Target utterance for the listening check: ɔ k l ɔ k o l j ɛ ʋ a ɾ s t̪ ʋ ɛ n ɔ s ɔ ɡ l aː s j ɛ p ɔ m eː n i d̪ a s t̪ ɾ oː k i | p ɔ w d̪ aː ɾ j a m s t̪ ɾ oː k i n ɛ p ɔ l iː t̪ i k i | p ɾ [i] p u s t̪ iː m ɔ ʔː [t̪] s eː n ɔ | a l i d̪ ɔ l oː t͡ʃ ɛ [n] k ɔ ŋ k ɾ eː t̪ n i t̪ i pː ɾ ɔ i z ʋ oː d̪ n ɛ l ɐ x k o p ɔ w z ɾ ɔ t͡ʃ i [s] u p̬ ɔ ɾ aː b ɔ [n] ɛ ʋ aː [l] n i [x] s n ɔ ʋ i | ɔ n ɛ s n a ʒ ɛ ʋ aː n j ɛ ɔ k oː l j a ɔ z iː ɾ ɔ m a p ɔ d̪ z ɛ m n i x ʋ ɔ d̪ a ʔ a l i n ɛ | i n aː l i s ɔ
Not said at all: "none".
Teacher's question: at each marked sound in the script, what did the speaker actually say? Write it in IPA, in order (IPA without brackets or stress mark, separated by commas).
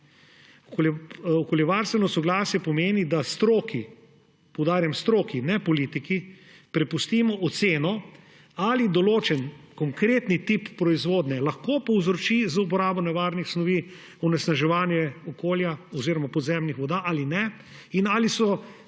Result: ɛ, t̪, n, z, n, ɾ, x